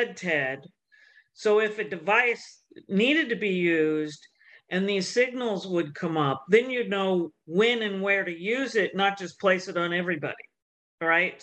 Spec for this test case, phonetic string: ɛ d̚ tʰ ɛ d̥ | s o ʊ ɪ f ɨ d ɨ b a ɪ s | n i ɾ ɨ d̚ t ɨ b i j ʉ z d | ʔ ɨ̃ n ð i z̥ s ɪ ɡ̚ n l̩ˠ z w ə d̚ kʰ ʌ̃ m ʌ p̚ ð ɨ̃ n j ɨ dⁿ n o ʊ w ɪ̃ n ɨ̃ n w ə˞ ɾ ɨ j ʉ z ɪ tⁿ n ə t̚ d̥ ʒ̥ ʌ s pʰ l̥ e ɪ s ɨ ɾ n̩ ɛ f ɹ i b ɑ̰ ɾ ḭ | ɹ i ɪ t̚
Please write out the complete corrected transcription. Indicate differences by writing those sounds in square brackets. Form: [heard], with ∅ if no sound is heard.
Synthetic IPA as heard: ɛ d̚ tʰ ɛ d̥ | s o ʊ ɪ f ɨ d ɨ [v] a ɪ s | n i ɾ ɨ d̚ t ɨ b i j ʉ z d | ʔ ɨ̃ n ð i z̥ s ɪ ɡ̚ n l̩ˠ z w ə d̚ kʰ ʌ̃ m ʌ p̚ ð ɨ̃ n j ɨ dⁿ n o ʊ w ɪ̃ n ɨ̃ n w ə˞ ɾ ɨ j ʉ z ɪ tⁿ n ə t̚ d̥ ʒ̥ ʌ s pʰ l̥ e ɪ s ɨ ɾ n̩ ɛ [v] ɹ i b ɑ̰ ɾ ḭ | ɹ [a] ɪ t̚